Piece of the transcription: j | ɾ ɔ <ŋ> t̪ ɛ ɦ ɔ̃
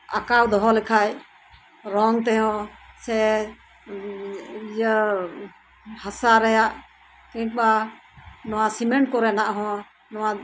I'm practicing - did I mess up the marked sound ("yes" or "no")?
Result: no